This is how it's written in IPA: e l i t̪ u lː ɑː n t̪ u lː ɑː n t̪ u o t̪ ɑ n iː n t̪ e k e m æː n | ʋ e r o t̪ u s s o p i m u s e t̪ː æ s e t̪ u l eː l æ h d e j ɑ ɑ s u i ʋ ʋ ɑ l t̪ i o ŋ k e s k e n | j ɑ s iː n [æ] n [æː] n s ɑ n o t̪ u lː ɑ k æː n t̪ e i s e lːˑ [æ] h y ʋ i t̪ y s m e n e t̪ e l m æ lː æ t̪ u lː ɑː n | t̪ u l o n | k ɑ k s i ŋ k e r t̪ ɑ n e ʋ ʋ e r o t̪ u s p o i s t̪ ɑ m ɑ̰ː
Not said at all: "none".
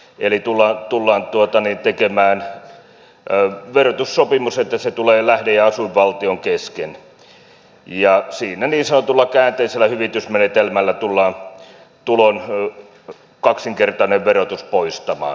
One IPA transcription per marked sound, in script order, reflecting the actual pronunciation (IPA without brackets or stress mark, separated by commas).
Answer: æ, iː, æ